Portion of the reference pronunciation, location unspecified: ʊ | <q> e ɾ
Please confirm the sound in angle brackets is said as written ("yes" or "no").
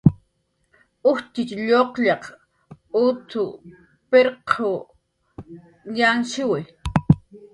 no